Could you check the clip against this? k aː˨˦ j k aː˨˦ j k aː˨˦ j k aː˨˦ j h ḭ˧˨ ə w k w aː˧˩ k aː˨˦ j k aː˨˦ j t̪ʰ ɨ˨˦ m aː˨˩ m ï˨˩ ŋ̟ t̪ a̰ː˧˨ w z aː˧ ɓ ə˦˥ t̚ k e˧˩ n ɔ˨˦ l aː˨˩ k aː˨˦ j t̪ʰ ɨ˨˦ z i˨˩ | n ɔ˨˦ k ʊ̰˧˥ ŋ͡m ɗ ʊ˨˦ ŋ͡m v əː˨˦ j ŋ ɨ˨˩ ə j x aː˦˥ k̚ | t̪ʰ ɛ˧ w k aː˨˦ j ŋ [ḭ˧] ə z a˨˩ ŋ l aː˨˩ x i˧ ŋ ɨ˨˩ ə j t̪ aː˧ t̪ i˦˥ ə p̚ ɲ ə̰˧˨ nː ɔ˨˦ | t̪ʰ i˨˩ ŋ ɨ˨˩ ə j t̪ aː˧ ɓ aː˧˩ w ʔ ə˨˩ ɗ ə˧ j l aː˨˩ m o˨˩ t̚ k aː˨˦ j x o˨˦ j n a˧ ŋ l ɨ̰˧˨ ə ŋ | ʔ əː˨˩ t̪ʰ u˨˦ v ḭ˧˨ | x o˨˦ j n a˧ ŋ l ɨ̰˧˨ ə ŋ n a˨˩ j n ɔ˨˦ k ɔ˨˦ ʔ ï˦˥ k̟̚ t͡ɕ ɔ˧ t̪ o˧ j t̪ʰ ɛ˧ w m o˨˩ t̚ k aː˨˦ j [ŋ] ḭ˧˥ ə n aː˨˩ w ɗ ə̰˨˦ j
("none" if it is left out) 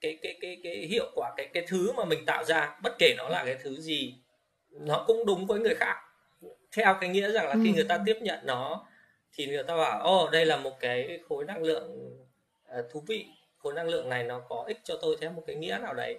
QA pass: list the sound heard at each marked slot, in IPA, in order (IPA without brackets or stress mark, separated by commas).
ḭ˧˥, ŋ